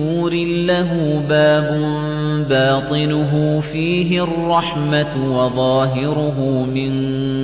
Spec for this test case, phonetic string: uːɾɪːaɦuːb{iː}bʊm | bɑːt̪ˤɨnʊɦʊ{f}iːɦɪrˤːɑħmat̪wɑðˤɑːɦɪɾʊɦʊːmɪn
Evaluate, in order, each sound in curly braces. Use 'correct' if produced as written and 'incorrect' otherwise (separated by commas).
incorrect, correct